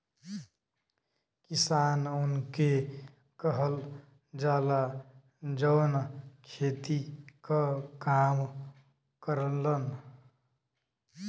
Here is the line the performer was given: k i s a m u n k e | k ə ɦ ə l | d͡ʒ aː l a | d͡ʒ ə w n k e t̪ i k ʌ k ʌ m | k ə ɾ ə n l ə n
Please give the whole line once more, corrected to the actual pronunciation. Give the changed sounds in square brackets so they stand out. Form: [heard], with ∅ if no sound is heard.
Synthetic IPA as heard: k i s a [n] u n k e | k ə ɦ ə l | d͡ʒ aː l a | d͡ʒ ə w n [kʰ] e t̪ i k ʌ k [a] m | k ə ɾ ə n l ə n